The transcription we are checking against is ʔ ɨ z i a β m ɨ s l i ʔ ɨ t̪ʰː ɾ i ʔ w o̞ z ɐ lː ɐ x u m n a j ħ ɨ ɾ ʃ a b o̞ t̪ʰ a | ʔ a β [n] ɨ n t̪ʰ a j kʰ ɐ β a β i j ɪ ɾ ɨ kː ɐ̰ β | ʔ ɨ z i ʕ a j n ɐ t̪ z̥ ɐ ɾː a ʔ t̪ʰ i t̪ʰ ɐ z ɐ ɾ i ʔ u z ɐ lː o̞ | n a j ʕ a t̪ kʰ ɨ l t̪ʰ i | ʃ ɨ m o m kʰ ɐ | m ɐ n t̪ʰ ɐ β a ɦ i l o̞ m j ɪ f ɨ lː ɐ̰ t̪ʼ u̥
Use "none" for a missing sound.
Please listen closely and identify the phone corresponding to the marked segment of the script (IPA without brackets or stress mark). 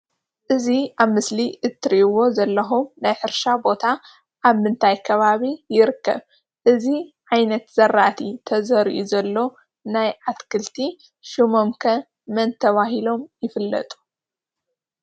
m